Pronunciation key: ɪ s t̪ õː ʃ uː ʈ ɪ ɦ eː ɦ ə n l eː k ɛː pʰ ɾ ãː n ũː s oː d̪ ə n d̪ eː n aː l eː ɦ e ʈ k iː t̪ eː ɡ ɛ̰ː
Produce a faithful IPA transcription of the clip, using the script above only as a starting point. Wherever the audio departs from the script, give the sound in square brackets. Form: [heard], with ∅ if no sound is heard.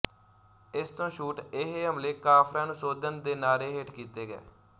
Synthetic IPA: ɪ s t̪ õː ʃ uː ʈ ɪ ɦ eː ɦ ə [m] l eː k [aː] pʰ ɾ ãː n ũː s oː d̪ ə n d̪ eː n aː [ɾ] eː ɦ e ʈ k iː t̪ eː ɡ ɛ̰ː